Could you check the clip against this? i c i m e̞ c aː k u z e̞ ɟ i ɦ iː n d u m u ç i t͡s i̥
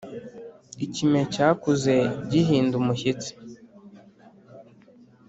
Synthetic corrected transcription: i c i m e̞ c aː k u z e̞ ɟ i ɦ iː n d u m u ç i t͡s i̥